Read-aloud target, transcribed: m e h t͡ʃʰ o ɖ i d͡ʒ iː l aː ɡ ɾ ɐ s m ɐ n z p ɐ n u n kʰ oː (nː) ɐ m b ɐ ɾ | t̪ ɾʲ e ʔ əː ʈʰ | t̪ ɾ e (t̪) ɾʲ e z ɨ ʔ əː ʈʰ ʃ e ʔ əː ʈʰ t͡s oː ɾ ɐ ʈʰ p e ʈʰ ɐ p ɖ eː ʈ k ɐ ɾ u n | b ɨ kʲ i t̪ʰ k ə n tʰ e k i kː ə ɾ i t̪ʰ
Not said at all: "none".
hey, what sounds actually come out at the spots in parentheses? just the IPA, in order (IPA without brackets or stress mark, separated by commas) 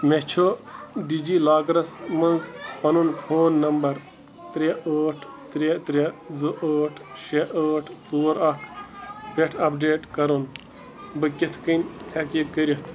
nː, t̪